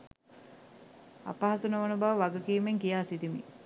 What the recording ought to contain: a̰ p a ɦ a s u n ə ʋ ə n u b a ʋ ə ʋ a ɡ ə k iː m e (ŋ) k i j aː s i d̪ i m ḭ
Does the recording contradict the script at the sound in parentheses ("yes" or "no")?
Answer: no